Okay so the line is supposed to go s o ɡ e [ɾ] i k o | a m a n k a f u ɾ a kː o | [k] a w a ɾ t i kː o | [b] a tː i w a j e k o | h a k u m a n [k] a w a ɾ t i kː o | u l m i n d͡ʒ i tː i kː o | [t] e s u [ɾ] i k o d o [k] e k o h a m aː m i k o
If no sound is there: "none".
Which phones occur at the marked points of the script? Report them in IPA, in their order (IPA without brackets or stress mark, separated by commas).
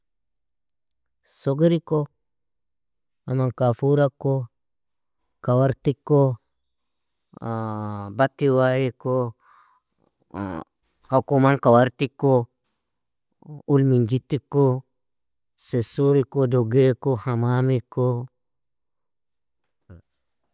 ɾ, k, b, k, s, ɾ, ɡ